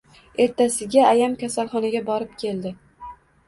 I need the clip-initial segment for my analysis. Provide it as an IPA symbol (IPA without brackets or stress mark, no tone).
e̞